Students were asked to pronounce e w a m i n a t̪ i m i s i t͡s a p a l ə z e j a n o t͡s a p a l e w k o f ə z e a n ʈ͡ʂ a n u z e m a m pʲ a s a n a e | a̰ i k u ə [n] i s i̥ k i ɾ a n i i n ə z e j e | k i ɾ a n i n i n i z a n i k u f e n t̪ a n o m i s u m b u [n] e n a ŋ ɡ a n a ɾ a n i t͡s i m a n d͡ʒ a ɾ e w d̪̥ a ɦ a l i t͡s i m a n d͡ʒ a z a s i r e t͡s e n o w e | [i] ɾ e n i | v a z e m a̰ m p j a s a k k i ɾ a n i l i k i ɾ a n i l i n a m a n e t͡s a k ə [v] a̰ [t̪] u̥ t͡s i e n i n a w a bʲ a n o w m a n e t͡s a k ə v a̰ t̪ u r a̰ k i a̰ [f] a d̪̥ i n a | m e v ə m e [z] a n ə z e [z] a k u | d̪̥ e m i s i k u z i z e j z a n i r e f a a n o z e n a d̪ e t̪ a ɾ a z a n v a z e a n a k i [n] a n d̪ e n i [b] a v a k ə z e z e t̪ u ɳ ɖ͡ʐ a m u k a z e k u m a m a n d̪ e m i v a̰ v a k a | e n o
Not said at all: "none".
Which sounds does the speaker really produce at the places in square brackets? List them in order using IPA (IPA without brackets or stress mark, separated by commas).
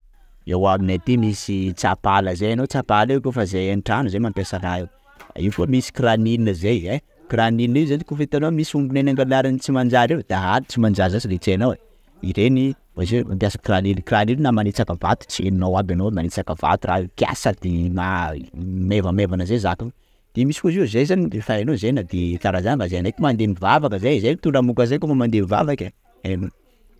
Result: m, n, i, v, t̪, s, v, z, m, v